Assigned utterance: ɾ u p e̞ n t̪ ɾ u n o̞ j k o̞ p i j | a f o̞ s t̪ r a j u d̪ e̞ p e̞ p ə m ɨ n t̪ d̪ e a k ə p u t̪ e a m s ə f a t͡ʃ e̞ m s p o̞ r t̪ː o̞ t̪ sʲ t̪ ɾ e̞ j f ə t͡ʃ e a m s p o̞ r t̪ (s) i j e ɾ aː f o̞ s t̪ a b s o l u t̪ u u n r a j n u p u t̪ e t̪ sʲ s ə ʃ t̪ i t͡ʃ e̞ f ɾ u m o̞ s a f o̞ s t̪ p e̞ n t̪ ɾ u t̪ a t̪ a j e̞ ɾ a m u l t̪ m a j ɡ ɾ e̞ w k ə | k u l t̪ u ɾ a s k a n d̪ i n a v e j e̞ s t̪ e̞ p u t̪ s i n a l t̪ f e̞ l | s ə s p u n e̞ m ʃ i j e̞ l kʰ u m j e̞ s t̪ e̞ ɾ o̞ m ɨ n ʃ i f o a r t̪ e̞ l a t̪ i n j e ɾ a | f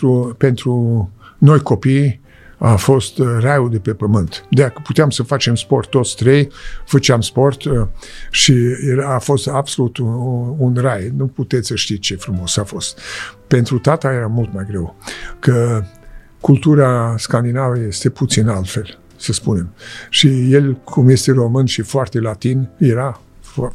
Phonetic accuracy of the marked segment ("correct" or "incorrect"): incorrect